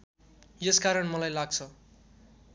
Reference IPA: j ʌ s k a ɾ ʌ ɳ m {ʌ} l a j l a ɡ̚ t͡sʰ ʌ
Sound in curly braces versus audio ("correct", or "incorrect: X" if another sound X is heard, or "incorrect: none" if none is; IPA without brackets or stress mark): correct